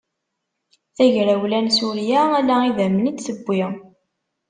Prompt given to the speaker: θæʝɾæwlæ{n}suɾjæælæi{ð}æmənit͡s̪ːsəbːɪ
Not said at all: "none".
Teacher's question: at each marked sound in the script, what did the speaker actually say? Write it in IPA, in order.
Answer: n, ð

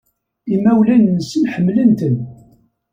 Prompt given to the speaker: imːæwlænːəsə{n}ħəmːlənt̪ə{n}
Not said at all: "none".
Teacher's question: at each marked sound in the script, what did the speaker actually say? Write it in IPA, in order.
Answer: n, n

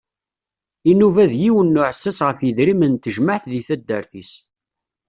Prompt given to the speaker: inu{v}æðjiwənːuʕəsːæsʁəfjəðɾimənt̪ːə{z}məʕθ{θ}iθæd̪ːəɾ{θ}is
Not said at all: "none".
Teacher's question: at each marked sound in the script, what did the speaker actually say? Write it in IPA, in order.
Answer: v, ʒ, ð, θ

